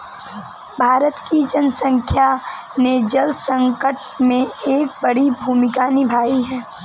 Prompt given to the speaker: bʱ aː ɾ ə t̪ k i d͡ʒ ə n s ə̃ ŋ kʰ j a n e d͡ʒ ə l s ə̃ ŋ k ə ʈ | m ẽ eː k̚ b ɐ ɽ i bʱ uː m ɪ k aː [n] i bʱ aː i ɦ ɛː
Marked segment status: correct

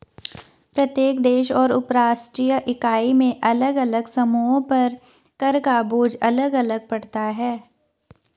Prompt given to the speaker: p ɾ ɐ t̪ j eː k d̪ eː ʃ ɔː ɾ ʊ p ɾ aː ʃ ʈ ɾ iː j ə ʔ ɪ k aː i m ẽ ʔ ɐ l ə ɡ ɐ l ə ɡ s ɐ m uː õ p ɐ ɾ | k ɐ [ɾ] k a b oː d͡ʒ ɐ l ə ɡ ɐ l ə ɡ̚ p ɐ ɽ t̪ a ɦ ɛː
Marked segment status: correct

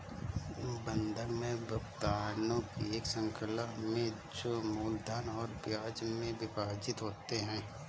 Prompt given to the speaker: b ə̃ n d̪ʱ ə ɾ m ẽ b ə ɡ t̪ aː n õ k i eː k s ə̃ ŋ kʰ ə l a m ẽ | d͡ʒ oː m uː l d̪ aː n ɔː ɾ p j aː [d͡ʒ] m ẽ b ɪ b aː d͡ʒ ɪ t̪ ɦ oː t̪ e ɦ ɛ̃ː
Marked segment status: correct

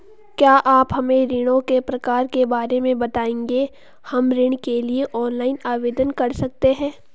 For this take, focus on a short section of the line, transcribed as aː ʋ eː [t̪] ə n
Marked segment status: incorrect: d̪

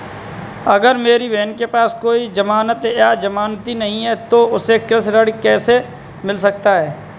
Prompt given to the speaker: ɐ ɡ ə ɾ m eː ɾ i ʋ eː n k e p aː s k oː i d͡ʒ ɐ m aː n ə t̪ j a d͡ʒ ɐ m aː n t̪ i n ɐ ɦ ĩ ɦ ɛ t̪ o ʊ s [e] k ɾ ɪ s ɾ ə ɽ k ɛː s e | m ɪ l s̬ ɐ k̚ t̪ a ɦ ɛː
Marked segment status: correct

